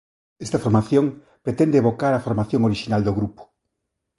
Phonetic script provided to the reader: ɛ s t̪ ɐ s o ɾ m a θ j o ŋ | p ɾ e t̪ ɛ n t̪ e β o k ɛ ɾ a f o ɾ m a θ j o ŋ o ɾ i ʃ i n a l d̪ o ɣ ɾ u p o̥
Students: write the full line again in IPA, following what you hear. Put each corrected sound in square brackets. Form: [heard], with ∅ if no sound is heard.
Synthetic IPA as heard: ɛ s t̪ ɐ [f] o ɾ m a θ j o ŋ | p ɾ e t̪ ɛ n [d̪] e β o k [a] ɾ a f o ɾ m a θ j o ŋ o ɾ i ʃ i n a l d̪ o ɣ ɾ u p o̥